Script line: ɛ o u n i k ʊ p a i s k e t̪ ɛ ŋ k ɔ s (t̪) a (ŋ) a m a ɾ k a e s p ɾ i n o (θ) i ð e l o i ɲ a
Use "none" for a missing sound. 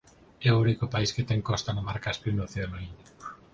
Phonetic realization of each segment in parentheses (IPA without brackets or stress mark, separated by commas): t̪, n, θ